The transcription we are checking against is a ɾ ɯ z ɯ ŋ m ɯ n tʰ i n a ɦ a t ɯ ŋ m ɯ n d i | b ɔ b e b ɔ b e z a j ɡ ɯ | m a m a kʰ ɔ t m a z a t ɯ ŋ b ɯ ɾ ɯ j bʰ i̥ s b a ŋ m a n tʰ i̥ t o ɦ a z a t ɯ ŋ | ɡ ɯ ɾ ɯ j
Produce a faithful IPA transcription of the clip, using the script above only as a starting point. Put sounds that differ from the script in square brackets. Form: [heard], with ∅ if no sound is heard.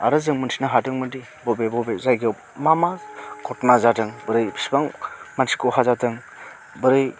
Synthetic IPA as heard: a ɾ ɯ z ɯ ŋ m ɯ n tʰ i n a ɦ a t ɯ ŋ m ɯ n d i | b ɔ b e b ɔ b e z a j ɡ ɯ | m a m a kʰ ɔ t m a z a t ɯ ŋ b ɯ ɾ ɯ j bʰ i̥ s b a ŋ m a n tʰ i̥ [k] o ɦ a z a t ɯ ŋ | [b] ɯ ɾ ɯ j

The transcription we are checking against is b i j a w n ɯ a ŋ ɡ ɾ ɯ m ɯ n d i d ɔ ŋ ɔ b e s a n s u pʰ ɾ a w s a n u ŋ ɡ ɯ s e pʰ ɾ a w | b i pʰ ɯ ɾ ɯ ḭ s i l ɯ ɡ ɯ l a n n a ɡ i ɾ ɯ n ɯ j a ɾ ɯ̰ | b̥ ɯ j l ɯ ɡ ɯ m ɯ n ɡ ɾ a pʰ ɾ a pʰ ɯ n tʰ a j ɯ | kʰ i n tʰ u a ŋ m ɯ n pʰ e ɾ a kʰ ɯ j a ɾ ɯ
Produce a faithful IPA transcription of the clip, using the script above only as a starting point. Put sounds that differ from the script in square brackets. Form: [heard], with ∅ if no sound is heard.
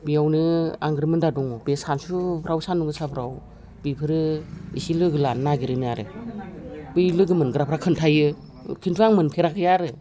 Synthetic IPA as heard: b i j a w n ɯ a ŋ ɡ ɾ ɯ m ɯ n d [a] d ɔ ŋ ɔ b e s a n s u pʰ ɾ a w s a n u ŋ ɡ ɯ s [a] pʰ ɾ a w | b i pʰ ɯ ɾ ɯ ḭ s i l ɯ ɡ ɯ l a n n a ɡ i ɾ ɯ n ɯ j a ɾ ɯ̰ | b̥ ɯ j l ɯ ɡ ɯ m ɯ n ɡ ɾ a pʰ ɾ a [kʰ] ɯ n tʰ a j ɯ | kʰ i n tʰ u a ŋ m ɯ n pʰ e ɾ a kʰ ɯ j a ɾ ɯ

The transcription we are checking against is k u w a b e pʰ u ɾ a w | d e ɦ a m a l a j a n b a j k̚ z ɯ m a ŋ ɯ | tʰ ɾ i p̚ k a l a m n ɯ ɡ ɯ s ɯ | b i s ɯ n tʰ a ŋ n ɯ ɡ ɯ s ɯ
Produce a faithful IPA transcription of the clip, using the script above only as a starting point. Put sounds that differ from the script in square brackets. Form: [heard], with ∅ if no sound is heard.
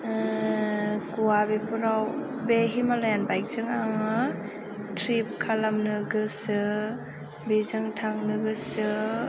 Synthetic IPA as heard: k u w a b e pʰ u ɾ a w | [b] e ɦ [i] m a l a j a n b a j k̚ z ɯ [ŋ] a ŋ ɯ | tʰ ɾ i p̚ [kʰ] a l a m n ɯ ɡ ɯ s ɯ | b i [z] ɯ [ŋ] tʰ a ŋ n ɯ ɡ ɯ s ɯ

